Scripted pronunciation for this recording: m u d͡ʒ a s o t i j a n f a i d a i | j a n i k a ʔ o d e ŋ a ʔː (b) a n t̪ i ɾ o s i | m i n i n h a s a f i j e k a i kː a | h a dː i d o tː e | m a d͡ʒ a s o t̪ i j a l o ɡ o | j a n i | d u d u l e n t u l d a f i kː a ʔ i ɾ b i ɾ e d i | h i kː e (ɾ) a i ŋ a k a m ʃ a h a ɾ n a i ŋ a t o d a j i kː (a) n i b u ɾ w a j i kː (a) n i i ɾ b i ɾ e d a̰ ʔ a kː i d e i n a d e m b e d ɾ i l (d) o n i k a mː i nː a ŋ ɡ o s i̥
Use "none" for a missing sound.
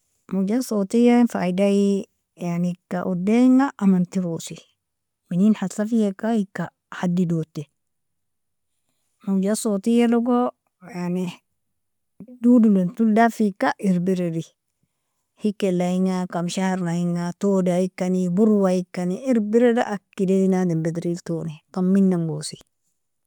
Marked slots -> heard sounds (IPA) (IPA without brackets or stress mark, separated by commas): m, l, a, a, t